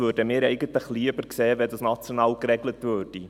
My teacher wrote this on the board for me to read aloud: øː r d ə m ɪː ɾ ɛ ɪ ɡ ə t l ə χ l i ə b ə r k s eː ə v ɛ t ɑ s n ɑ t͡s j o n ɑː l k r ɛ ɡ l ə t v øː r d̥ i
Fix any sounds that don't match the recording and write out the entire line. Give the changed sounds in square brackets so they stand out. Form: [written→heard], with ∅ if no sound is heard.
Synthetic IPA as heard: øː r d ə m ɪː ɾ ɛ ɪ ɡ ə t l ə χ l i ə b ə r k s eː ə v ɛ [t→d] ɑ s n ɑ t͡s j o n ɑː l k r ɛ ɡ l ə t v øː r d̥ i